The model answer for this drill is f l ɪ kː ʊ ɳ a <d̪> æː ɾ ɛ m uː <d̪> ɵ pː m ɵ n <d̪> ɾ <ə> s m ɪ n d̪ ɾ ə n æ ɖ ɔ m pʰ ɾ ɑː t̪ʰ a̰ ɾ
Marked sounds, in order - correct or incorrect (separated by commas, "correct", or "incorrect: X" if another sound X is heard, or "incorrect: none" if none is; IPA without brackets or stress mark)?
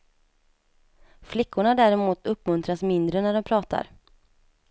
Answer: correct, incorrect: t̪, incorrect: t̪, incorrect: a